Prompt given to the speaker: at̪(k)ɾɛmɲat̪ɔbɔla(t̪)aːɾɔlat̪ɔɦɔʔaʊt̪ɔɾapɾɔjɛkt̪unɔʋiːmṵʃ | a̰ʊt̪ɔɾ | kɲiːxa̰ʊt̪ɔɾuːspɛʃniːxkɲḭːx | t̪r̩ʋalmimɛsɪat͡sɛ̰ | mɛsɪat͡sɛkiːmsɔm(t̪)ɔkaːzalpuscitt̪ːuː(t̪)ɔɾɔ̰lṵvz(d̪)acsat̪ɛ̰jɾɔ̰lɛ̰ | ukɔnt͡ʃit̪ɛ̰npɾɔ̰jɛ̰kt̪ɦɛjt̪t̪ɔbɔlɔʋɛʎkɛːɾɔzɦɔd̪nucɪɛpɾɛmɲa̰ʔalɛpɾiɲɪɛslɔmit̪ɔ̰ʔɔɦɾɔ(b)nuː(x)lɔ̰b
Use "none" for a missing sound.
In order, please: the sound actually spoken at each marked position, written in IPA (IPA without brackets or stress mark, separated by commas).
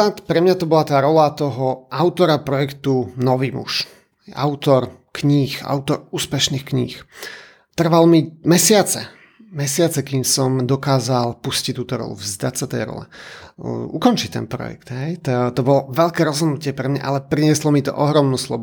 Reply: p, t̪, d̪, t̪, d̪, m, s